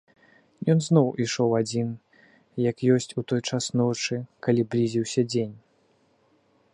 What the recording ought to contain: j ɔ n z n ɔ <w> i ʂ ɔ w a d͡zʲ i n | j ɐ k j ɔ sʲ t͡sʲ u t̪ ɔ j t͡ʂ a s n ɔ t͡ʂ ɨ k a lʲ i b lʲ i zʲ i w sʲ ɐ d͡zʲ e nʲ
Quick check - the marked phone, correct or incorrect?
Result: correct